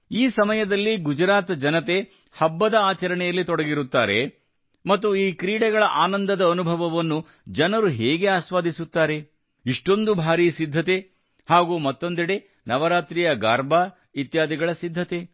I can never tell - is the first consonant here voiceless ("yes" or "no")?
yes